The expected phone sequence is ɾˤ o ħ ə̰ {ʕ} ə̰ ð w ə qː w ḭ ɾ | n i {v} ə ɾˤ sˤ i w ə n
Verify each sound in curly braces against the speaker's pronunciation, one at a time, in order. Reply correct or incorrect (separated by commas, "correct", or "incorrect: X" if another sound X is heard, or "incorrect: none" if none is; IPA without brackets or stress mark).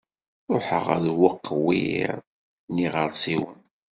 incorrect: ʁ, incorrect: ʁ